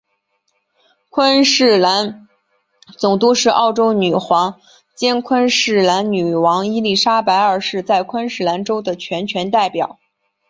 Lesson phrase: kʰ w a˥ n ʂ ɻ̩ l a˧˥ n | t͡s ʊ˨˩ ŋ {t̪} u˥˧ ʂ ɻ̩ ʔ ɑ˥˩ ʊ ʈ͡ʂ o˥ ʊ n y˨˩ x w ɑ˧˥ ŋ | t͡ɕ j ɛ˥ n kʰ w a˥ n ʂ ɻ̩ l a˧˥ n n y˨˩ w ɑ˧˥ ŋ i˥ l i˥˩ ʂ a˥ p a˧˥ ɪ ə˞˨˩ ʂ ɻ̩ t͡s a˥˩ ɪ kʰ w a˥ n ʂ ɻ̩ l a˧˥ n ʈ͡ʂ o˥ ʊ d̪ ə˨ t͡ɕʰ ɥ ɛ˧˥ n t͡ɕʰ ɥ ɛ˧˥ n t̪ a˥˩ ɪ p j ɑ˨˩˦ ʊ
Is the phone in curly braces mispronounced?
no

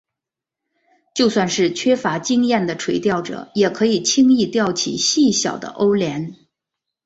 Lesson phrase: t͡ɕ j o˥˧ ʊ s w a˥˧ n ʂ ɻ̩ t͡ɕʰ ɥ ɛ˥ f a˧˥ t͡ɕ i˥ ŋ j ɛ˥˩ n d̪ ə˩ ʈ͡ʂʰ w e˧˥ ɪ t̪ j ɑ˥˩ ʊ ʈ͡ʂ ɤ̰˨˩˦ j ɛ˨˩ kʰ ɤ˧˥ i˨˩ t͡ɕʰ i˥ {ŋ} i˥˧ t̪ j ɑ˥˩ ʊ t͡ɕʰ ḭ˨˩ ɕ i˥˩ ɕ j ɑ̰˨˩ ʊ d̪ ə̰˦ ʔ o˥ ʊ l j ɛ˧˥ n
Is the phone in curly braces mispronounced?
no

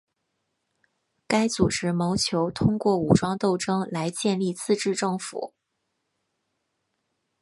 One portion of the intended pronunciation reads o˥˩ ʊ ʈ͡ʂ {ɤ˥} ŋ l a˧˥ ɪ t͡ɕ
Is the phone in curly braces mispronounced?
no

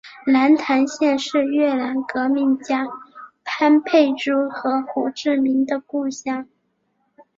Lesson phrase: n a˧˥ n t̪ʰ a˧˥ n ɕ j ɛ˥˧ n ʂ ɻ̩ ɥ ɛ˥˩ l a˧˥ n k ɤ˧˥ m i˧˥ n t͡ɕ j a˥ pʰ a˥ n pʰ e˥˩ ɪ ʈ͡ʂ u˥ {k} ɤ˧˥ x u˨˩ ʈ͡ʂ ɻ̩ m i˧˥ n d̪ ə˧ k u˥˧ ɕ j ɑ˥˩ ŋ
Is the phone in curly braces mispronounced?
yes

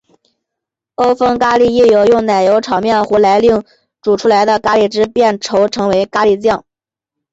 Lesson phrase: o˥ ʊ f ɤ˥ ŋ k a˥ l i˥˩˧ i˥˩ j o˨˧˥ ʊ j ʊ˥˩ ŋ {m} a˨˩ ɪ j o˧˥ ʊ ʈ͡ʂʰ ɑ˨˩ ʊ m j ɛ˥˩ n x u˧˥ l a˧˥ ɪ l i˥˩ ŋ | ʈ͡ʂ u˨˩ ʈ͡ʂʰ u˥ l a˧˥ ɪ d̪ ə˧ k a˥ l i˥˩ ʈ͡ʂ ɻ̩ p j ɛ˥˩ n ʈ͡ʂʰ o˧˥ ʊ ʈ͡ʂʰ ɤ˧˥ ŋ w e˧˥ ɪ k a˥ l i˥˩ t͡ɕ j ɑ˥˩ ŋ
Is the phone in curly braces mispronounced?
yes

